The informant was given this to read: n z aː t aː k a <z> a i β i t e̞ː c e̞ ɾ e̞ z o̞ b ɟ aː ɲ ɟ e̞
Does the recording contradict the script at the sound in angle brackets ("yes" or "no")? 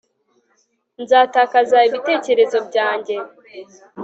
no